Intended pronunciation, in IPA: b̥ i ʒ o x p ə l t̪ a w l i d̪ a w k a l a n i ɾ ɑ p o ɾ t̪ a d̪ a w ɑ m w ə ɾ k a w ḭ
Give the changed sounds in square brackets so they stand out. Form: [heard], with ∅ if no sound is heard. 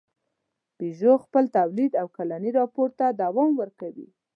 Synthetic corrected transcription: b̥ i ʒ o x p ə l t̪ a w l i d̪ a w k a l a n i ɾ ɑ p o ɾ t̪ a d̪ a w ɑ m w ə ɾ k a w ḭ